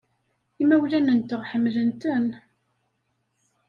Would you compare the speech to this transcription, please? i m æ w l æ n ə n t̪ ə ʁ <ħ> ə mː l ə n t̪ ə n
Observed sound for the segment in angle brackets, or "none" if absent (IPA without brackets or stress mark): ħ